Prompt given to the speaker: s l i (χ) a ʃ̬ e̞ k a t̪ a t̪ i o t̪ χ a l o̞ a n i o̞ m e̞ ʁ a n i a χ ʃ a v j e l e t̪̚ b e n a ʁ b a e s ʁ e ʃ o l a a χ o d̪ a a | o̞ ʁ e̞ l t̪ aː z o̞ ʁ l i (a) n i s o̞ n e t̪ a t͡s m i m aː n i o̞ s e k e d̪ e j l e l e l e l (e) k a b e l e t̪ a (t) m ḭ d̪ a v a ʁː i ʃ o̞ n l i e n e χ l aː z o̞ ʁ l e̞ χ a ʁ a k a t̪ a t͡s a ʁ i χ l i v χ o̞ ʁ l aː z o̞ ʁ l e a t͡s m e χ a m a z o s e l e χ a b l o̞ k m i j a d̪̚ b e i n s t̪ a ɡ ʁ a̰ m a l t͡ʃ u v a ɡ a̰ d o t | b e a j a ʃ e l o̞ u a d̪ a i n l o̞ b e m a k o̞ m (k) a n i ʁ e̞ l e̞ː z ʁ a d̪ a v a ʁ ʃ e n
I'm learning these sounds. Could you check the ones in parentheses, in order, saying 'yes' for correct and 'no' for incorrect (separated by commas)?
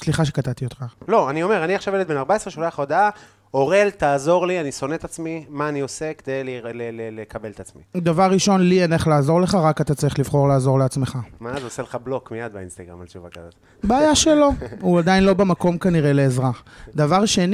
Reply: yes, yes, yes, no, yes